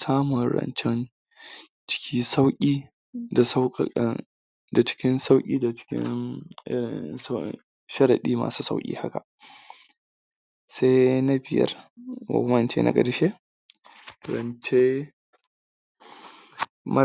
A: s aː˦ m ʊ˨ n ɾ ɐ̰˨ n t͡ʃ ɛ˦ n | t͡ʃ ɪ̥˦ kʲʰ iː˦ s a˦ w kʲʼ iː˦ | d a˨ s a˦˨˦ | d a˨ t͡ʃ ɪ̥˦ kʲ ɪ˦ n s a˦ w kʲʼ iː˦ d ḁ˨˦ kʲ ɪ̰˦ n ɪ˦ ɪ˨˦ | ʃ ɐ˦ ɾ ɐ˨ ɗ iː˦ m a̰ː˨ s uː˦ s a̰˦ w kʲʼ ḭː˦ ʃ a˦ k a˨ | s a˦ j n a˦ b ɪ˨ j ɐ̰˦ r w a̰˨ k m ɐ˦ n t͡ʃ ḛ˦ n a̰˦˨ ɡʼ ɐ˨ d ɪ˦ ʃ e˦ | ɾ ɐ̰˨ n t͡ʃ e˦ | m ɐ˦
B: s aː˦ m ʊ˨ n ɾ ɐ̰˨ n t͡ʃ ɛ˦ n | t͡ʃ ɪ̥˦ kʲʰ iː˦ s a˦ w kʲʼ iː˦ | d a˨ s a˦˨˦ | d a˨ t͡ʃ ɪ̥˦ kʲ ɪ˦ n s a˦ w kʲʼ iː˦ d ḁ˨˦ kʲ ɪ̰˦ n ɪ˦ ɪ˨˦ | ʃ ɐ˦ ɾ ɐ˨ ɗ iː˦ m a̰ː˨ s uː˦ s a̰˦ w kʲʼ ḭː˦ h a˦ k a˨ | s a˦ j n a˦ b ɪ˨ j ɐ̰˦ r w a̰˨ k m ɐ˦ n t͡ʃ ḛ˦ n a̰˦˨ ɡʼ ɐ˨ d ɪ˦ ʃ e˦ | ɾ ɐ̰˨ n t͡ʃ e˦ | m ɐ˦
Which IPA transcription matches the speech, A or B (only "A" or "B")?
B